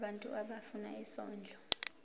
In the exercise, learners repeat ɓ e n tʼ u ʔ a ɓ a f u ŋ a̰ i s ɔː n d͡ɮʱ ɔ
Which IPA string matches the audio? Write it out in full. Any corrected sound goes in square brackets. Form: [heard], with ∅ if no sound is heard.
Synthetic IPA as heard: ɓ [a] n tʼ u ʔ a ɓ a f u [n] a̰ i s ɔː n d͡ɮʱ ɔ